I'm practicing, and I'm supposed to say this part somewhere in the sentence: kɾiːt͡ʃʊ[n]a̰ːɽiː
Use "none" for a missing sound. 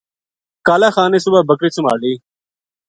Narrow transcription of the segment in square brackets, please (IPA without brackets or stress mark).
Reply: m